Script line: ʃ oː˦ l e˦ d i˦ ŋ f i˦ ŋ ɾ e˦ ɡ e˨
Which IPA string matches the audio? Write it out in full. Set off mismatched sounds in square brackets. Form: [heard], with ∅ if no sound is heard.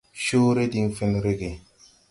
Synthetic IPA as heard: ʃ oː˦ [ɾ] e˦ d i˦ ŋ f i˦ [n] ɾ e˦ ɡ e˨

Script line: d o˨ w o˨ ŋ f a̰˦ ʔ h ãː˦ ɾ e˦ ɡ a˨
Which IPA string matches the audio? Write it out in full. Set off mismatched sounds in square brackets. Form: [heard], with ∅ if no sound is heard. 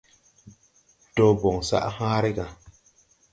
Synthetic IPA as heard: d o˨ [b] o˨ ŋ [s] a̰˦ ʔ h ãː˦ ɾ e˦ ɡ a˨

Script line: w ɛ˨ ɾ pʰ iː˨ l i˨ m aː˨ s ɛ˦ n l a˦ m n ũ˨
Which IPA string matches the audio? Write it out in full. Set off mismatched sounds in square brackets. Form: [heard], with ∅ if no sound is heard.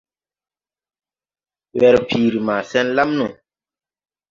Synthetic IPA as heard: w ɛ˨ ɾ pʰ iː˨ [ɾ] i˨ m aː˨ s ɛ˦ n l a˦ m n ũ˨

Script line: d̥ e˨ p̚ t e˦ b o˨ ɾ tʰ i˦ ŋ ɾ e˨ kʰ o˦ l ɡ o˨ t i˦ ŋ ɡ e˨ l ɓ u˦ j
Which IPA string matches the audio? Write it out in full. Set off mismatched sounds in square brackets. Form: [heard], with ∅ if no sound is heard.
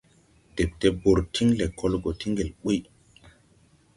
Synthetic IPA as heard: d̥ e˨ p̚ t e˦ b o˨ ɾ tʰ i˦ ŋ [l] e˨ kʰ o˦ l ɡ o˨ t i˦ ŋ ɡ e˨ l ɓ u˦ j

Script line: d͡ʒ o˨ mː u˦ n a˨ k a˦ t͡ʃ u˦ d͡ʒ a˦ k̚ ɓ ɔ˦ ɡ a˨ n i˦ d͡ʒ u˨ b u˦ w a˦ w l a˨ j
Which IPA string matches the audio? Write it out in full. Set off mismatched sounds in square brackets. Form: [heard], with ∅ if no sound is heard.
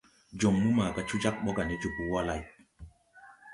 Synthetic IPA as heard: d͡ʒ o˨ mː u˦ [m] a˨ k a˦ t͡ʃ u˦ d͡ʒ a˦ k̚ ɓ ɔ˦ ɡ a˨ n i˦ d͡ʒ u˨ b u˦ w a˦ [∅] l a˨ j

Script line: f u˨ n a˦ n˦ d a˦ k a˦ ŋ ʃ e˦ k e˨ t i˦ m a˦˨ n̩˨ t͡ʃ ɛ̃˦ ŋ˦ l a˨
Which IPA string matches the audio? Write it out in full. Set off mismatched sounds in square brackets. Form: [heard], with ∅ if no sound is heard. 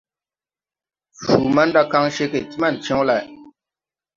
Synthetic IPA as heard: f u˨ [m] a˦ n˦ d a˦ k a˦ ŋ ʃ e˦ k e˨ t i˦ m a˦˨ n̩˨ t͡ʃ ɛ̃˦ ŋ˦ l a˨

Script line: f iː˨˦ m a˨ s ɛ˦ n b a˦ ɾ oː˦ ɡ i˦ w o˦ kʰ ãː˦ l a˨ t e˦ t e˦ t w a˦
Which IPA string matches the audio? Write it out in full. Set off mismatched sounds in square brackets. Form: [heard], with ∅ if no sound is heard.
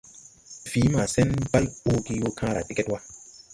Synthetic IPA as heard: f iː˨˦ m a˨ s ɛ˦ n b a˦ [l] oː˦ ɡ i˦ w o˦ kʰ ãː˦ [ɾ] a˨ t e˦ [k] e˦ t w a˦

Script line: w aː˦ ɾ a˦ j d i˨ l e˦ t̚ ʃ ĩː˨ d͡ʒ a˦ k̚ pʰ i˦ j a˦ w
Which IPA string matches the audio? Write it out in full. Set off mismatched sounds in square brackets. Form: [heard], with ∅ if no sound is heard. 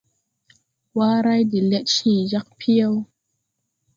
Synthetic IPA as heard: w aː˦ ɾ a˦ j d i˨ l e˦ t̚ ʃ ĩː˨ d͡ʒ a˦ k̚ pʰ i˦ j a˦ w

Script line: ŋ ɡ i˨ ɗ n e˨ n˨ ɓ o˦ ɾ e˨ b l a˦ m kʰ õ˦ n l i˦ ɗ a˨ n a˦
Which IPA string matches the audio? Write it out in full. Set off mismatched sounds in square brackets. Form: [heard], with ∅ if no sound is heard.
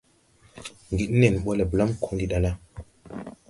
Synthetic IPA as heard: ŋ ɡ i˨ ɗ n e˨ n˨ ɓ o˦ [l] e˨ b l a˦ m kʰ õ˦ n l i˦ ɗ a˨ n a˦

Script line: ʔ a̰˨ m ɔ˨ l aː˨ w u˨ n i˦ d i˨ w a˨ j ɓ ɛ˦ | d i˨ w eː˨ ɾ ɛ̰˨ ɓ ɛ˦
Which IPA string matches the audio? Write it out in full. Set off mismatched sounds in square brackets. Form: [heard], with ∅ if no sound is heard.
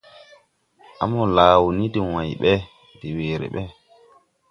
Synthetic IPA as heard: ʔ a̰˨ m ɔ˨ l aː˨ w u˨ n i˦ d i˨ w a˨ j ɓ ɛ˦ | d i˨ w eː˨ ɾ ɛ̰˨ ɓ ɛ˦

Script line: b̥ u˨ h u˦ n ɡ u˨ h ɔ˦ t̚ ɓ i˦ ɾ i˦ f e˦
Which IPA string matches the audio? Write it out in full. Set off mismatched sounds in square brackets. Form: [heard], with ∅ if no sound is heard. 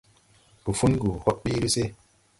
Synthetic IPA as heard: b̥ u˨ [f] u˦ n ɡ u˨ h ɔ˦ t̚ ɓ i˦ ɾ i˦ [s] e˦

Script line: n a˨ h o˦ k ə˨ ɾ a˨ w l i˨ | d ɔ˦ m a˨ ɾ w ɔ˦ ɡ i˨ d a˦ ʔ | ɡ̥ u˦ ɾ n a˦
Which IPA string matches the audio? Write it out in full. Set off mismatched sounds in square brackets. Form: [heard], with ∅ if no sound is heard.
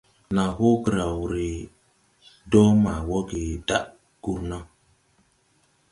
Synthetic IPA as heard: n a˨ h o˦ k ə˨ ɾ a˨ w [ɾ] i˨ | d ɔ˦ m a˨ [∅] w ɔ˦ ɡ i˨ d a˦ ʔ | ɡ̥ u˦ ɾ n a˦

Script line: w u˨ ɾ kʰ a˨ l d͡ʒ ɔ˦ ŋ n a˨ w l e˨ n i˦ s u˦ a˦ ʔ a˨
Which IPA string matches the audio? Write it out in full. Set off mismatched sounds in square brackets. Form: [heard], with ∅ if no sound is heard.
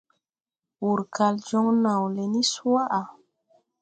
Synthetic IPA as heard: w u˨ ɾ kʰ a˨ l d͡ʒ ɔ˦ ŋ n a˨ w l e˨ n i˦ s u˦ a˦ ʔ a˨

